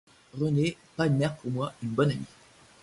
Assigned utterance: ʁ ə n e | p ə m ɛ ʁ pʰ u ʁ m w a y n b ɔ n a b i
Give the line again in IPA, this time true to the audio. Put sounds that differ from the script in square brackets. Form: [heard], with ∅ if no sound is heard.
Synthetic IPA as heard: ʁ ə n e | p [a] m ɛ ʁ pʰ u ʁ m w a y n b ɔ n a [m] i